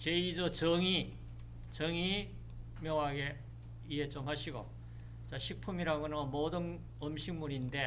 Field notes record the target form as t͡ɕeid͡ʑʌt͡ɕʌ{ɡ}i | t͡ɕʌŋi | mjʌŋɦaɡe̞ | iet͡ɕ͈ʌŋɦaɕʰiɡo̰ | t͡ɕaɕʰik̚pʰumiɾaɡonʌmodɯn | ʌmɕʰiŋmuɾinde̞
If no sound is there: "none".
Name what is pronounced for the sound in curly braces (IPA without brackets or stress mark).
ŋ